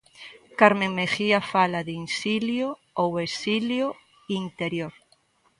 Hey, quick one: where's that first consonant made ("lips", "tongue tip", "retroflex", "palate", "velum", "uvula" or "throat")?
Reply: velum